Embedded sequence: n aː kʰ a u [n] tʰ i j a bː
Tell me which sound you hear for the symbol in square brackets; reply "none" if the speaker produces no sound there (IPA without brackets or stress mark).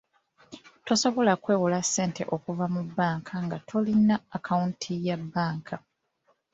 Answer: n